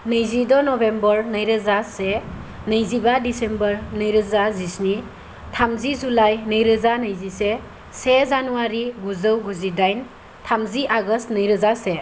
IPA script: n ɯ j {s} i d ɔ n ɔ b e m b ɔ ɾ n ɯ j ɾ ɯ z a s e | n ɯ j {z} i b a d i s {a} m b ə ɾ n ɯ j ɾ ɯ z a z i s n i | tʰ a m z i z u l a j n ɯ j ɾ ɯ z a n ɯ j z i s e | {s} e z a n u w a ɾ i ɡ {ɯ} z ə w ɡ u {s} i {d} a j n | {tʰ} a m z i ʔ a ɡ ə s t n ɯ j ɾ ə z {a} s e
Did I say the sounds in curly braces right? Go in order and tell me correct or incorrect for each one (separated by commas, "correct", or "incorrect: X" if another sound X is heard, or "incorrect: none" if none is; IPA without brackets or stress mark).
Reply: incorrect: z, correct, incorrect: e, correct, incorrect: u, incorrect: z, correct, correct, correct